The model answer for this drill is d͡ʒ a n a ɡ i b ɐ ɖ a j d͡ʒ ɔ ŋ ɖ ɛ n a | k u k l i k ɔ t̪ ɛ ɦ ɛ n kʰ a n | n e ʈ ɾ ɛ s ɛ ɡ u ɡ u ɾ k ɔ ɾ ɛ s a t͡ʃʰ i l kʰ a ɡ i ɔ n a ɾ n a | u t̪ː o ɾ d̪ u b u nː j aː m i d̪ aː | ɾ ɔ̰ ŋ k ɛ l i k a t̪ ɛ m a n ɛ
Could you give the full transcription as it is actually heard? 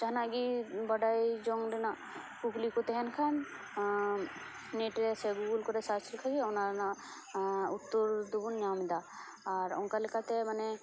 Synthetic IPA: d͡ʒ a n a ɡ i b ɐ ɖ a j d͡ʒ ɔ ŋ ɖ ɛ n a | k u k l i k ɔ t̪ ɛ ɦ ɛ n kʰ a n | n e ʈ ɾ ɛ s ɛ ɡ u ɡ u l k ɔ ɾ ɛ s a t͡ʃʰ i l kʰ a ɡ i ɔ n a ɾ n a | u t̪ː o ɾ d̪ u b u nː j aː m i d̪ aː | ɾ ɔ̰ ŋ k a l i k a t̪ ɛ m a n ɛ